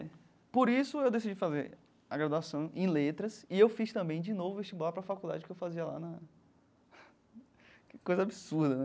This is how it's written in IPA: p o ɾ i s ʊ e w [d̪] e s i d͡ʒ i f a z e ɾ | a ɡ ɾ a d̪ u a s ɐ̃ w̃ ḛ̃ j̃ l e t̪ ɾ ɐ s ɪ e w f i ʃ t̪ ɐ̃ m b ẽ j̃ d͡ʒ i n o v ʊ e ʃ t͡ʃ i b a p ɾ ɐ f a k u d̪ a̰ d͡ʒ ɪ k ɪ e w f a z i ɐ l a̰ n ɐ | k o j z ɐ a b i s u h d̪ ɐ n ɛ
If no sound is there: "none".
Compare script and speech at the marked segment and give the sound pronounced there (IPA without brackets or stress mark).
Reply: d̪